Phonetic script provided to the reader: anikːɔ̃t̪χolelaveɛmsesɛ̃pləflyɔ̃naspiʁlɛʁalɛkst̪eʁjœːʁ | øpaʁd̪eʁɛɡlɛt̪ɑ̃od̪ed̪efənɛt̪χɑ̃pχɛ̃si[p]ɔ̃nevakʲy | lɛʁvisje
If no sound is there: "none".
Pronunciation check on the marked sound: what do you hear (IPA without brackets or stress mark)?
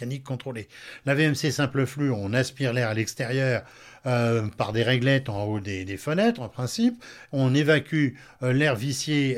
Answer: p